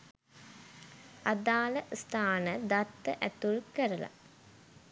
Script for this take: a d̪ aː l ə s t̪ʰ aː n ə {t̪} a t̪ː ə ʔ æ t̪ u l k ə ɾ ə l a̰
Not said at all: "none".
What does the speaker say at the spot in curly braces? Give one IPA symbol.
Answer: d̪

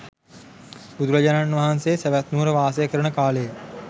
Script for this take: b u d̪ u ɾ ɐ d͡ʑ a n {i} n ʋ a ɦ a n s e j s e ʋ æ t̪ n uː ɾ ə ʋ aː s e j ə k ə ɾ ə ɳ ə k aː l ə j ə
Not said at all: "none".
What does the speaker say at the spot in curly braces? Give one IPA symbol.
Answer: a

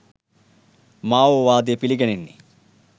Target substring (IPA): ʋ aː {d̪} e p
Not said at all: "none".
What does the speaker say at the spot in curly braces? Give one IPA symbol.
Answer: d̪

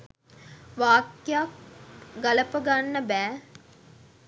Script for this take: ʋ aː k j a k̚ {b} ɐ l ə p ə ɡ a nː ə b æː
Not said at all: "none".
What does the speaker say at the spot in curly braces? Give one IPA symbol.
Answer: ɡ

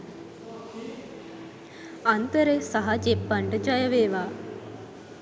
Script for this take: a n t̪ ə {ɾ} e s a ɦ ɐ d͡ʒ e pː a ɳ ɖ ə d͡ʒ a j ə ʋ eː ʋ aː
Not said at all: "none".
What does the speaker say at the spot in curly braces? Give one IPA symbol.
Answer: ɾ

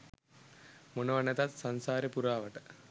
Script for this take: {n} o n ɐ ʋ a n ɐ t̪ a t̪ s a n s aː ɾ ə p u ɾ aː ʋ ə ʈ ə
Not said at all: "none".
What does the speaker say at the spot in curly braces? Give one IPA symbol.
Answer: m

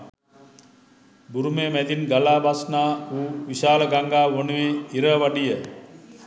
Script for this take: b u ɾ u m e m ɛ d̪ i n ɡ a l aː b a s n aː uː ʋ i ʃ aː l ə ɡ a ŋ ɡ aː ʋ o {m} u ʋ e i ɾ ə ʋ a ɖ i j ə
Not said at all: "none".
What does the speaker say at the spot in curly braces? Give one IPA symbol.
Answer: n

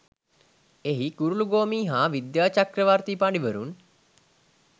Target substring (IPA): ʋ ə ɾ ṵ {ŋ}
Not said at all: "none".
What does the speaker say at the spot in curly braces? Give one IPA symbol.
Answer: n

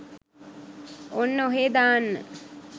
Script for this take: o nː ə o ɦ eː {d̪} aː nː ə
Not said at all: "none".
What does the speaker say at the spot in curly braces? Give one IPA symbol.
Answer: d̪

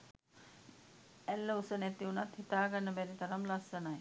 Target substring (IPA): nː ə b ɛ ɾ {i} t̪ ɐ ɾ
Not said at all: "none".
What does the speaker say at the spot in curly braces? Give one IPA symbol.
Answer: i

